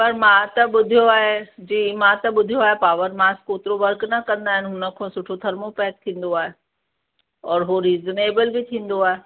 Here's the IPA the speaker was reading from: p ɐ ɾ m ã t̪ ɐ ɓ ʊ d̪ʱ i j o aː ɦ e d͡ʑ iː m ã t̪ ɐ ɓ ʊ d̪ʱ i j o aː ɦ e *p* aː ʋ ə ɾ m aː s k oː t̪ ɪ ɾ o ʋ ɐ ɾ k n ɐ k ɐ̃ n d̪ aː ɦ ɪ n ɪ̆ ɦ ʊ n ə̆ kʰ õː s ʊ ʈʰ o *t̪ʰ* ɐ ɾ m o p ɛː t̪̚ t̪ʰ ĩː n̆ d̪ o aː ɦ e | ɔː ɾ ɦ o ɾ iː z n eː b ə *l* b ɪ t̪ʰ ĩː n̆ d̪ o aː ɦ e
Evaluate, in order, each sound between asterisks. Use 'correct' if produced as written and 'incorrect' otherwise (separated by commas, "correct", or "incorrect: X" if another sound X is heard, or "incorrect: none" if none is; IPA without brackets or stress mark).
correct, correct, correct